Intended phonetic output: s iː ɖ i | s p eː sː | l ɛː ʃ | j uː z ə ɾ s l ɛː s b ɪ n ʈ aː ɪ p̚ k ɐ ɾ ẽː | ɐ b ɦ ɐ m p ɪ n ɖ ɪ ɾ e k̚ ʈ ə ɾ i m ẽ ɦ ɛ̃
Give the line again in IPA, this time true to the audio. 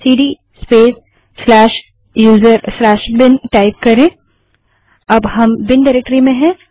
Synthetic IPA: s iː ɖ i | s p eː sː | l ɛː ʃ | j uː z ə ɾ s l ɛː ʃ b ɪ n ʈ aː ɪ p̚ k ɐ ɾ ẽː | ɐ b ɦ ɐ m b ɪ n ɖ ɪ ɾ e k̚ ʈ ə ɾ i m ẽ ɦ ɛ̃